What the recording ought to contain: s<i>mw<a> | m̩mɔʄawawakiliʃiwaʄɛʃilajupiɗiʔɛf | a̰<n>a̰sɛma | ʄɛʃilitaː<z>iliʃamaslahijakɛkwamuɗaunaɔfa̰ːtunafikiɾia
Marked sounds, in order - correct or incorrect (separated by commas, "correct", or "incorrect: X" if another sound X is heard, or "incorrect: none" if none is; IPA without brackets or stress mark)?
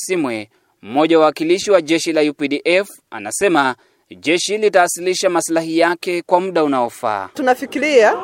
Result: correct, incorrect: ɛ, correct, incorrect: s